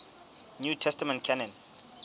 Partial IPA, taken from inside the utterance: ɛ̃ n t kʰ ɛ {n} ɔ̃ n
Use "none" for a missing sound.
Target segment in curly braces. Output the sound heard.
n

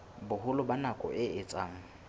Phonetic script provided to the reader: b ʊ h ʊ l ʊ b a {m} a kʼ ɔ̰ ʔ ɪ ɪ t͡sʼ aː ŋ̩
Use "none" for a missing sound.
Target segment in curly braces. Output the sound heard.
n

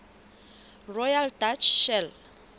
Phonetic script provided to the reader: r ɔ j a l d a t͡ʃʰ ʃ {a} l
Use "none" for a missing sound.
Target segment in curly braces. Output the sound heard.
ɛ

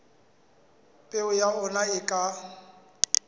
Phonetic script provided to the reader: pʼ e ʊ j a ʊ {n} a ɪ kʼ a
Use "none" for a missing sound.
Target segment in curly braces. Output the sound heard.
n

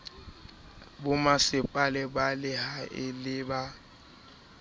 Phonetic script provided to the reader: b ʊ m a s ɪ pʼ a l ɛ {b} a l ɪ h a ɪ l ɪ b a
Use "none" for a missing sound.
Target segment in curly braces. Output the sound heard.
b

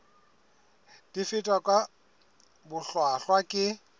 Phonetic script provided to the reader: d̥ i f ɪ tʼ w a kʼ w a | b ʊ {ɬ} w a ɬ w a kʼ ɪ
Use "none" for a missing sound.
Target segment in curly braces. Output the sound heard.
ɬ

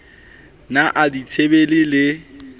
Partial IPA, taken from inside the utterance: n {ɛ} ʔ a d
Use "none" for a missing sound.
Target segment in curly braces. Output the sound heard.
a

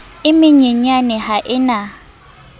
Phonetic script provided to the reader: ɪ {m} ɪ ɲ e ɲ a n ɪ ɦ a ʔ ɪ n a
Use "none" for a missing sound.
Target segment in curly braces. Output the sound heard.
m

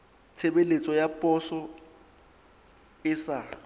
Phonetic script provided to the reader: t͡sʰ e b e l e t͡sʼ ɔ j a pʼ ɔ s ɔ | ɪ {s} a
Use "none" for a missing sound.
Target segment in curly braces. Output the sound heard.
s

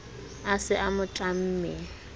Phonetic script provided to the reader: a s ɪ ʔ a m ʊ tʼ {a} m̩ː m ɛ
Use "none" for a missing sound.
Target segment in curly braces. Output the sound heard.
a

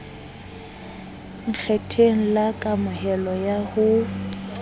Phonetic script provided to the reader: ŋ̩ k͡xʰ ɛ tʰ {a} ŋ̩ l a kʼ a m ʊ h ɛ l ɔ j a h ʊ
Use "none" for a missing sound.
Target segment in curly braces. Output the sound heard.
e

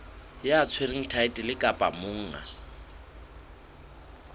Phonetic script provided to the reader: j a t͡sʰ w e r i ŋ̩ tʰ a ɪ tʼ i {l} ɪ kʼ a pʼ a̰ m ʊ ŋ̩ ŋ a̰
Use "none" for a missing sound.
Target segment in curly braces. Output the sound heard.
l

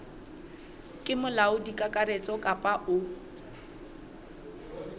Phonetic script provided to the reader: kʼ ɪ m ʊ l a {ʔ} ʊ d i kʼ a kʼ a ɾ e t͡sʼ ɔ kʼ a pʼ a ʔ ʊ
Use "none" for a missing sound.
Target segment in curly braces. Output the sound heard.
none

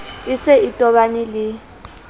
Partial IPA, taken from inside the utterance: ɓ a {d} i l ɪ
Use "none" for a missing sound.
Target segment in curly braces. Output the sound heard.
n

